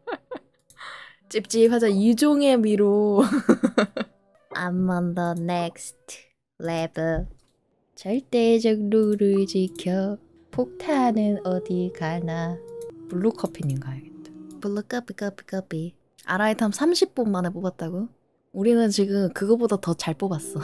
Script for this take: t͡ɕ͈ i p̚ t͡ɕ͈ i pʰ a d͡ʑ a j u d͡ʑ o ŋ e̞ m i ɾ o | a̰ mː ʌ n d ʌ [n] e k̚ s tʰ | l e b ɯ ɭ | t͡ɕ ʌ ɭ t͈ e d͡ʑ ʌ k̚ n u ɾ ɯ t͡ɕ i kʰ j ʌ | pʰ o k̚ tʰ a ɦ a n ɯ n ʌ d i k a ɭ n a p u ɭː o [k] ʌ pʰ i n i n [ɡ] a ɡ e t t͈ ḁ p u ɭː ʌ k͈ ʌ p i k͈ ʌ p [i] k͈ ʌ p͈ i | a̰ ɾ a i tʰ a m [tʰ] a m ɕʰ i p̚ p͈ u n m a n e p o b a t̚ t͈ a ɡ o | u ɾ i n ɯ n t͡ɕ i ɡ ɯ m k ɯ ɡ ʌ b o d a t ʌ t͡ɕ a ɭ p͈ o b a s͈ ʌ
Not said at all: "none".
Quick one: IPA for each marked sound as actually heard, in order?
n, kʰ, ɡ, i, sʰ

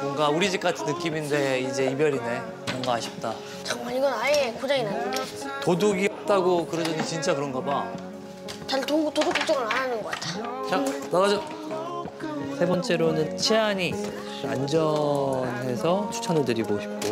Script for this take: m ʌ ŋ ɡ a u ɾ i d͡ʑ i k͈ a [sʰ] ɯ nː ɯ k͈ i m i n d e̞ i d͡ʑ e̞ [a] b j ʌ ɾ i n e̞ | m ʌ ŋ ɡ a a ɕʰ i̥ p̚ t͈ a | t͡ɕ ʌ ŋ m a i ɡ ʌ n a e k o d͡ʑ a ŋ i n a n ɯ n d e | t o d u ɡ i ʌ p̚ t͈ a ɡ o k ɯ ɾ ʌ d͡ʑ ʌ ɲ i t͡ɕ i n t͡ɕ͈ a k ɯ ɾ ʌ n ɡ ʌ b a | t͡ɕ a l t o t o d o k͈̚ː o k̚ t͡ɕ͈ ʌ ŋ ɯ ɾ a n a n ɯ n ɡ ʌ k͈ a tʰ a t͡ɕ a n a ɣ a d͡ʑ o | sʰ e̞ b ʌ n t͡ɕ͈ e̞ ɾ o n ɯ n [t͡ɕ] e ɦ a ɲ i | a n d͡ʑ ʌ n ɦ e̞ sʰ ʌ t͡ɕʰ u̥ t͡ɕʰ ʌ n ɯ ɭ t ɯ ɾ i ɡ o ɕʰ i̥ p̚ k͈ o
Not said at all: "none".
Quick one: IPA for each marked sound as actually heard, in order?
tʰ, i, t͡ɕʰ

